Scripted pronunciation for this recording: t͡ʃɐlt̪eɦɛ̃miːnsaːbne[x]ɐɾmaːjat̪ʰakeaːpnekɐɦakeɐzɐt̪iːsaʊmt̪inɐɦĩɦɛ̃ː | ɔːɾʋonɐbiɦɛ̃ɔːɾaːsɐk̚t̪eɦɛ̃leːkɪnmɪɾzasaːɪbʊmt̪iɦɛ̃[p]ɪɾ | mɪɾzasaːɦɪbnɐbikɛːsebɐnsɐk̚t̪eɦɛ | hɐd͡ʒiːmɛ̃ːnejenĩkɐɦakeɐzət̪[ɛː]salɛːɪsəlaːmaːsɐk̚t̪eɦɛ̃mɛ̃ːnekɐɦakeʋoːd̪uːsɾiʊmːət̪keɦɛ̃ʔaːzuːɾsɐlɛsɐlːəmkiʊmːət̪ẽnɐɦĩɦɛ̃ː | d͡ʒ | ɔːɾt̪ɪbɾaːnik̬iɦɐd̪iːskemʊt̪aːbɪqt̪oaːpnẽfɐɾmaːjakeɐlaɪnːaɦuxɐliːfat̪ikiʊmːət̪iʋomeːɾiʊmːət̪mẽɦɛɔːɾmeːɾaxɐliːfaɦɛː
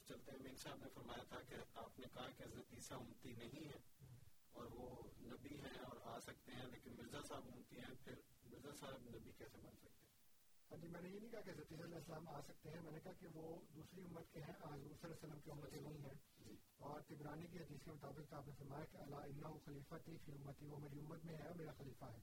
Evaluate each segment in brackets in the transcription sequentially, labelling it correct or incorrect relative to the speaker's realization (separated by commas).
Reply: incorrect, incorrect, incorrect